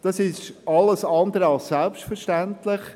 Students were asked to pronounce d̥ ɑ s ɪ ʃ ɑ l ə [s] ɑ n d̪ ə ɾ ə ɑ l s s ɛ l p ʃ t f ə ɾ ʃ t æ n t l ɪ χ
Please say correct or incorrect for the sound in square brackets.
correct